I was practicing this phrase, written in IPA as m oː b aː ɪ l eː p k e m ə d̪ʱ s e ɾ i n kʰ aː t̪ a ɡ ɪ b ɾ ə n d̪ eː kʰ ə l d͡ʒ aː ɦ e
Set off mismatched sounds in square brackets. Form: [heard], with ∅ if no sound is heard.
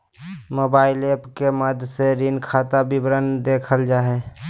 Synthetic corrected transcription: m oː b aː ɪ l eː p k e m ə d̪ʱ s e ɾ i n kʰ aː t̪ a [b] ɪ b ɾ ə n d̪ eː kʰ ə l d͡ʒ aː ɦ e